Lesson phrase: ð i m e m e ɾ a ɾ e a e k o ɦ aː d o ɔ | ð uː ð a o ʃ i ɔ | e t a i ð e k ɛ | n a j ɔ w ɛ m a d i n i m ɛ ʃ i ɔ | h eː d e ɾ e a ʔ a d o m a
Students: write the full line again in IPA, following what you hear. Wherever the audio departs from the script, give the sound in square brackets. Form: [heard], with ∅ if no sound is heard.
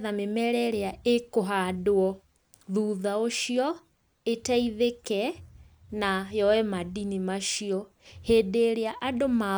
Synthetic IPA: ð [a] m e m [ɛ] ɾ [ɛ] ɾ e a e k o ɦ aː d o ɔ | ð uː ð a o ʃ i ɔ | e t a i ð e k ɛ | n a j ɔ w ɛ m a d i n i m [a] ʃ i ɔ | h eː d e ɾ e a ʔ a d o m a